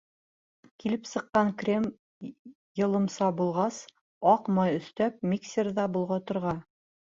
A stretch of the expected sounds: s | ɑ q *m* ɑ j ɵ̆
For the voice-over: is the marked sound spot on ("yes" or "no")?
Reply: yes